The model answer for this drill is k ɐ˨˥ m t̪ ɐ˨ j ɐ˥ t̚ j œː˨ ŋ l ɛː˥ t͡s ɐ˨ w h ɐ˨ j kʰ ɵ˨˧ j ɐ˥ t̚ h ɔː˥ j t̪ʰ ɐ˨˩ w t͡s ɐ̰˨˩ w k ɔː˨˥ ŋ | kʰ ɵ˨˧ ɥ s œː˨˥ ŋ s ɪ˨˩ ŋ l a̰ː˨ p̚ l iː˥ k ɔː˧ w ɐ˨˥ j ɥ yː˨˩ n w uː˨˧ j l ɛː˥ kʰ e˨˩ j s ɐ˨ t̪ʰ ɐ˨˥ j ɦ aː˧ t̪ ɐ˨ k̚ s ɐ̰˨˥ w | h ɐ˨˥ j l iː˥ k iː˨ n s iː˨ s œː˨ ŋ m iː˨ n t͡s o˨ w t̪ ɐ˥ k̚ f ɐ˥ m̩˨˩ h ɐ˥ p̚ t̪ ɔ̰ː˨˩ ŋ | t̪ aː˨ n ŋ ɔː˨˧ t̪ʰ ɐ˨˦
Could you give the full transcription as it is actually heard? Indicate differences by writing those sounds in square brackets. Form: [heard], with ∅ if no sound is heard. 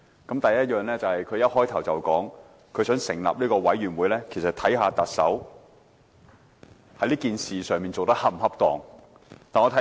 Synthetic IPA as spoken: k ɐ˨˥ m t̪ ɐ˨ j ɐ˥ t̚ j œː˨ ŋ l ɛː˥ t͡s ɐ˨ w h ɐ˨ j kʰ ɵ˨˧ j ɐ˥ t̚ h ɔː˥ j t̪ʰ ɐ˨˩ w t͡s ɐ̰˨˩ w k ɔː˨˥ ŋ | kʰ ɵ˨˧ ɥ s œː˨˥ ŋ s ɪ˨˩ ŋ l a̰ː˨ p̚ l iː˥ k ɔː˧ w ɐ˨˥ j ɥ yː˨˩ n w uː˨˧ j l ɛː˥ kʰ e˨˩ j s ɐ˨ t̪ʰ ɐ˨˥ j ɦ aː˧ t̪ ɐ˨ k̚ s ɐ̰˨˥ w | h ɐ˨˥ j l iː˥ k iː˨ n s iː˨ s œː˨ ŋ m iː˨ n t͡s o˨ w t̪ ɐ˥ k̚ [h] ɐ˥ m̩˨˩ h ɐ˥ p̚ t̪ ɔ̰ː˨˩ ŋ | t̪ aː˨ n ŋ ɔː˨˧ t̪ʰ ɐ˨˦

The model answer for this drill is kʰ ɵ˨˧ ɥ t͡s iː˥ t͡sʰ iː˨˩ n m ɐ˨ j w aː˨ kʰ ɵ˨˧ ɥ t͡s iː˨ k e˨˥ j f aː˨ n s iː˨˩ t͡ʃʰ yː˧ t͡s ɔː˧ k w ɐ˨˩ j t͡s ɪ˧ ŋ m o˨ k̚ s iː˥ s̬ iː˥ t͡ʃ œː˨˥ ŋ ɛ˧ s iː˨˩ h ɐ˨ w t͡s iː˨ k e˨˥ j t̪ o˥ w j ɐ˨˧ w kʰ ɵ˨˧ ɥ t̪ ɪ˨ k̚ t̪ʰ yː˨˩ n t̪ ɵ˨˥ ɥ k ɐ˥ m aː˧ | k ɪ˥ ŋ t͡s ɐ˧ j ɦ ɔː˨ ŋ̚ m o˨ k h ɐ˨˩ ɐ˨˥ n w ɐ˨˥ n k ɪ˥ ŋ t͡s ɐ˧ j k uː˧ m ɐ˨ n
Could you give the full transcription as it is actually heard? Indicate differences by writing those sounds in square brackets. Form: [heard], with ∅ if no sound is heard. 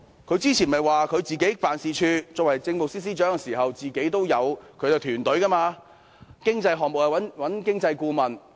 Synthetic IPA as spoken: kʰ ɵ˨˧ ɥ t͡s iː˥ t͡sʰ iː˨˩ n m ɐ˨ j w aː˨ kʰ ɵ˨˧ ɥ t͡s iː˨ k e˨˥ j f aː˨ n s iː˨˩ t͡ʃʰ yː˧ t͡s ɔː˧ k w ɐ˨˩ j t͡s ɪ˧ ŋ m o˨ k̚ s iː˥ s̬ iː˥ t͡ʃ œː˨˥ ŋ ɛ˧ s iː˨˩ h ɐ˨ w t͡s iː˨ k e˨˥ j t̪ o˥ w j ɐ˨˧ w kʰ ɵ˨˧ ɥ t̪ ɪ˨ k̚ t̪ʰ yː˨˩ n t̪ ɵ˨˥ ɥ k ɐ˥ m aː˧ | k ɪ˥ ŋ t͡s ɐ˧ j ɦ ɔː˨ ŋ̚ m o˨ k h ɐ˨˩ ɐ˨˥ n w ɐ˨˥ n k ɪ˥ ŋ t͡s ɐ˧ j k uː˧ m ɐ˨ n

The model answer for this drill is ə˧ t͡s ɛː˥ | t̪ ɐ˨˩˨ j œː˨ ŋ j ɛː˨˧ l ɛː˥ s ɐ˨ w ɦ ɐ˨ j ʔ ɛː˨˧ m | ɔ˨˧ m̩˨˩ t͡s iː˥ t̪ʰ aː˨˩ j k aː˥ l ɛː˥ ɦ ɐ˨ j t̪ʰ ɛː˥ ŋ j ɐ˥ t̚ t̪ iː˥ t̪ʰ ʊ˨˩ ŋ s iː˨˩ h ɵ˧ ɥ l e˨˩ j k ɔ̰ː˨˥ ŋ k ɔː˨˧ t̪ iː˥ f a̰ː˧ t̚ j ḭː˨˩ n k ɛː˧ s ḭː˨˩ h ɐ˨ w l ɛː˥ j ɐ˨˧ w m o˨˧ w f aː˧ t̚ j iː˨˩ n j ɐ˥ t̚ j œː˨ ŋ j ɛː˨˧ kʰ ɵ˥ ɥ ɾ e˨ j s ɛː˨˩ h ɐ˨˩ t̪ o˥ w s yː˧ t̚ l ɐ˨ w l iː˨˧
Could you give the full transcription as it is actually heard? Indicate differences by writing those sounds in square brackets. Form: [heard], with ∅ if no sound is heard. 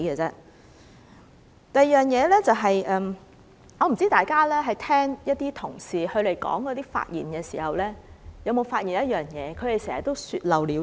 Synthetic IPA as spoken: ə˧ t͡s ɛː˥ | t̪ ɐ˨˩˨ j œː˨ ŋ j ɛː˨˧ l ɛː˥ [t͡s] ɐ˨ w ɦ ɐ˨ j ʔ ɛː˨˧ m | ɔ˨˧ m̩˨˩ t͡s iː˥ [t̪] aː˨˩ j k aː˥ l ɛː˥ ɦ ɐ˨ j t̪ʰ ɛː˥ ŋ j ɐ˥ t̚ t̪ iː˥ t̪ʰ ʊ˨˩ ŋ s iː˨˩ h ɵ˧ ɥ l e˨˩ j k ɔ̰ː˨˥ ŋ k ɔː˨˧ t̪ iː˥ f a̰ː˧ t̚ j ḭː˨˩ n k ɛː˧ s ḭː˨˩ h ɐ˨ w l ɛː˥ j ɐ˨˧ w m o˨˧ w f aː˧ t̚ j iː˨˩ n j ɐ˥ t̚ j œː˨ ŋ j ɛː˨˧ kʰ [ɵ˨˧] ɥ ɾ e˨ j s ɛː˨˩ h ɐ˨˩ t̪ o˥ w s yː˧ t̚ l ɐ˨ w l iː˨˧

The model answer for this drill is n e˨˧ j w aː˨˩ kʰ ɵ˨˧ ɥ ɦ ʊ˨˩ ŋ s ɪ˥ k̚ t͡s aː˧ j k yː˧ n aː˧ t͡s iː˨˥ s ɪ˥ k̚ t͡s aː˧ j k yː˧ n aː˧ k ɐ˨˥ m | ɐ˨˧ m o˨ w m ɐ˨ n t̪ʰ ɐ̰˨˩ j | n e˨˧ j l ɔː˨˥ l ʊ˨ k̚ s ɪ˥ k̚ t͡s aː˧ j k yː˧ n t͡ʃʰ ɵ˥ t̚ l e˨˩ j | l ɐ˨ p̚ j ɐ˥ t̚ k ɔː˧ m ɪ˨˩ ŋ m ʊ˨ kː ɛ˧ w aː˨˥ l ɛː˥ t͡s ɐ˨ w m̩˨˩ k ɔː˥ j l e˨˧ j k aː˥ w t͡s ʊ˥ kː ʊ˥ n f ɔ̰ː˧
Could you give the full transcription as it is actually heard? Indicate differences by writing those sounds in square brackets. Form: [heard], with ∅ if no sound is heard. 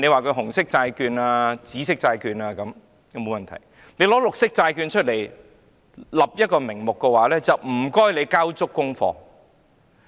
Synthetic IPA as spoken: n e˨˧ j w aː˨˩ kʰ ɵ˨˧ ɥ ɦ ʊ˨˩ ŋ s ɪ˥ k̚ t͡s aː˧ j k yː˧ n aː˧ t͡s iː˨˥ s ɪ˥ k̚ t͡s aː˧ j k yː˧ n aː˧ k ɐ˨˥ m | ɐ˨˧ m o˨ w m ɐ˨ n t̪ʰ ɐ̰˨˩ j | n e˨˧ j l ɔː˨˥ l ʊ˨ k̚ s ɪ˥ k̚ t͡s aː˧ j k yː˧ n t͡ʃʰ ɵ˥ t̚ l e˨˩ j | l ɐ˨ p̚ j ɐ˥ t̚ k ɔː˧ m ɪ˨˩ ŋ m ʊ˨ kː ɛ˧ w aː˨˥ l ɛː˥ t͡s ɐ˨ w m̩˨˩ k ɔː˥ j l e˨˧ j k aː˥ w t͡s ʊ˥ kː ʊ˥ [ŋ] f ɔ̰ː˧

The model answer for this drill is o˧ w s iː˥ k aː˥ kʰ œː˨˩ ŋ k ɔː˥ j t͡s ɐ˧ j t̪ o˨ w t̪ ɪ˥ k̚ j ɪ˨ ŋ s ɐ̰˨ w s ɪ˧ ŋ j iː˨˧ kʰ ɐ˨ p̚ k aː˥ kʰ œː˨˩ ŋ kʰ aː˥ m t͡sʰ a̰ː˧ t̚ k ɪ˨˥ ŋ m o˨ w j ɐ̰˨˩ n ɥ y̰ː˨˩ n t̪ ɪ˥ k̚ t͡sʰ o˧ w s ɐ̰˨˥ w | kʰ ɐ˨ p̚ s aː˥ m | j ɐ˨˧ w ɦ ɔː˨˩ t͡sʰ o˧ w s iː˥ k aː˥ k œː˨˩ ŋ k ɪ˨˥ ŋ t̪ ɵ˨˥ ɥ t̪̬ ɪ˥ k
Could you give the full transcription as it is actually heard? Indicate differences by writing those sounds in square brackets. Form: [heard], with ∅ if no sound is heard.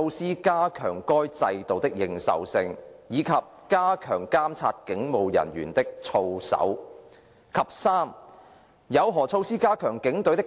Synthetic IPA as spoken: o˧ w s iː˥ k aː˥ kʰ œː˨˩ ŋ k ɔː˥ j t͡s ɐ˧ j t̪ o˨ w t̪ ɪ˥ k̚ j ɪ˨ ŋ s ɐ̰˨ w s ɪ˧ ŋ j iː˨˧ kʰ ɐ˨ p̚ k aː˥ kʰ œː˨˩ ŋ [k] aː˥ m t͡sʰ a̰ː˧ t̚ k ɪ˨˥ ŋ m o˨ w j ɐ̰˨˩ n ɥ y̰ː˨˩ n t̪ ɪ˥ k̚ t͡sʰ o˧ w s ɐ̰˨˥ w | kʰ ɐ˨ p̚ s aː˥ m | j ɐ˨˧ w ɦ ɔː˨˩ t͡sʰ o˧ w s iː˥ k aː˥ [kʰ] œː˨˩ ŋ k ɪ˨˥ ŋ t̪ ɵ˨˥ ɥ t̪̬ ɪ˥ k

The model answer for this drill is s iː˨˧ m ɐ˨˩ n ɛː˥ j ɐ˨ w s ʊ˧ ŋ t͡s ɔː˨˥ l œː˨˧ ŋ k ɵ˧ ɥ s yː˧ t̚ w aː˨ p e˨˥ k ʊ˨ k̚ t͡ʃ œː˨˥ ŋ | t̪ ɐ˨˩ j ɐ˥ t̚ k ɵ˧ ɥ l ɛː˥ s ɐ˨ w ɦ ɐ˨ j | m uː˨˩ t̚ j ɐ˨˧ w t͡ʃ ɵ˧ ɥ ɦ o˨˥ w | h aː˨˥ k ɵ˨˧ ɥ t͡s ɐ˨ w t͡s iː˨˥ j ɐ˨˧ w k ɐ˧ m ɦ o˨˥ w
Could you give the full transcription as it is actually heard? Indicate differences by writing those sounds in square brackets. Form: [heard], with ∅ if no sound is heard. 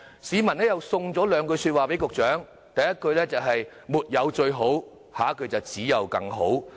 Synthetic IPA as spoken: s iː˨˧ m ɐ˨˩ n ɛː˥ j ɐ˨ w s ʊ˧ ŋ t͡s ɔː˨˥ l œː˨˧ ŋ k ɵ˧ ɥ s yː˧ t̚ w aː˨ p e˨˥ k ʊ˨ k̚ t͡ʃ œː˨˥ ŋ | t̪ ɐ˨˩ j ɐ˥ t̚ k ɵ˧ ɥ l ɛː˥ [t͡s] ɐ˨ w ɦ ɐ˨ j | m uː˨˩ t̚ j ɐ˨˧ w t͡ʃ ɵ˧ ɥ ɦ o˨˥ w | h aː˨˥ k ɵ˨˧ ɥ t͡s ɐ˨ w t͡s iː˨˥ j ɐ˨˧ w k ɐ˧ [ŋ] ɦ o˨˥ w

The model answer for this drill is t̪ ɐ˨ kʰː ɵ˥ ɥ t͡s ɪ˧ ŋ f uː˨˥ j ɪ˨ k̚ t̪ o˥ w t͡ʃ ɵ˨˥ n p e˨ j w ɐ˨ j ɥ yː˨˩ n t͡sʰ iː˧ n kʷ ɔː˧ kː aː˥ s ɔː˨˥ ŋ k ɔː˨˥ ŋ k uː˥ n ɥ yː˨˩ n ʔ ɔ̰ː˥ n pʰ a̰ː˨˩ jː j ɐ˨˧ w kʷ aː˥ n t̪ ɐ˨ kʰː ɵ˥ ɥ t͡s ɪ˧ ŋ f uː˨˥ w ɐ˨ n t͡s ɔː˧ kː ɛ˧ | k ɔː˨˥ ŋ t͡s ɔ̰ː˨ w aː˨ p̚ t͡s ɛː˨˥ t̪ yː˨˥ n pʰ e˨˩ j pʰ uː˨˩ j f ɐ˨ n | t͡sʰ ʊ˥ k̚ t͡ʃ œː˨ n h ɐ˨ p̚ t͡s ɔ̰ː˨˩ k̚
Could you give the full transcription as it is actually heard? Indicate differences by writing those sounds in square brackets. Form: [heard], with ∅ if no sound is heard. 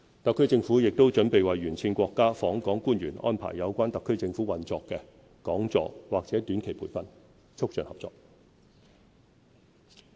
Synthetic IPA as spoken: t̪ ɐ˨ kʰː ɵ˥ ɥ t͡s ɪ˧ ŋ f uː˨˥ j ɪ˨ k̚ t̪ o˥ w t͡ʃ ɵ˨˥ n p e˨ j w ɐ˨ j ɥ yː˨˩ n t͡sʰ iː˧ n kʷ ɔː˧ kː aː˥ [f] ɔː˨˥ ŋ k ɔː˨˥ ŋ k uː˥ n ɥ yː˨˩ n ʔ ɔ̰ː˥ n pʰ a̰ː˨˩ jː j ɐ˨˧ w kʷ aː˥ n t̪ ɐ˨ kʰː ɵ˥ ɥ t͡s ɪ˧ ŋ f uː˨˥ w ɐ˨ n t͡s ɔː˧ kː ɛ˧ | k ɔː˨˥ ŋ t͡s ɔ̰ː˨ w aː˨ [k̚] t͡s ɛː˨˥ t̪ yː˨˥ n [kʰ] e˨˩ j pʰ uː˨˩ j f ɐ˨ n | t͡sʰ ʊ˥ k̚ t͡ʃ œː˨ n h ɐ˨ p̚ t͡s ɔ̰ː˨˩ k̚

